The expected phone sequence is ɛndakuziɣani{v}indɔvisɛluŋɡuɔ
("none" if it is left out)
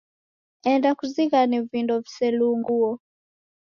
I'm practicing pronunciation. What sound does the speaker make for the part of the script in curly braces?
v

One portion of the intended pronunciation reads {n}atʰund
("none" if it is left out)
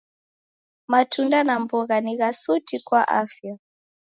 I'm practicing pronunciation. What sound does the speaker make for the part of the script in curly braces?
m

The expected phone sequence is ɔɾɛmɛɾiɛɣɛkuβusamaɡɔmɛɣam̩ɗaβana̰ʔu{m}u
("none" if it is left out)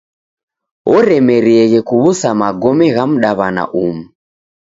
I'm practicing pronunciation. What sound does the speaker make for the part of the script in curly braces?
m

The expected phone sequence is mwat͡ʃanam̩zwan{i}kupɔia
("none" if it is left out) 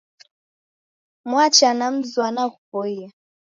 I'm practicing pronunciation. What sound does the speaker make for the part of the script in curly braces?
a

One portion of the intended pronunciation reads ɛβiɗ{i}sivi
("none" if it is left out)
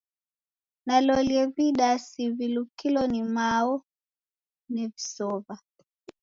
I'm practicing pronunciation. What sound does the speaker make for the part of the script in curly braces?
a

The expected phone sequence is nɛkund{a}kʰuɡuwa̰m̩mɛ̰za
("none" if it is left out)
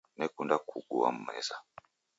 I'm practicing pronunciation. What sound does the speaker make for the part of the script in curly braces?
a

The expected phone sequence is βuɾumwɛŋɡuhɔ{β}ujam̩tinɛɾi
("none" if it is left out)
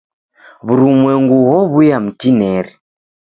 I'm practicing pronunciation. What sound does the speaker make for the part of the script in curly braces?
β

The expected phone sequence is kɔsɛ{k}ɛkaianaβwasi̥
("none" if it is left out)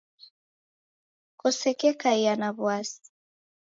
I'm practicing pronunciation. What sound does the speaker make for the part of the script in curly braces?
k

